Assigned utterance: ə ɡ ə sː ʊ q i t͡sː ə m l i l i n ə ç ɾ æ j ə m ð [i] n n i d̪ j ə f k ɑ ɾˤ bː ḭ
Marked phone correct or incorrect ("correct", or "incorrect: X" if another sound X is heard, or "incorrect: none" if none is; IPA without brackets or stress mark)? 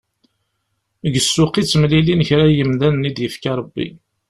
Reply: incorrect: æ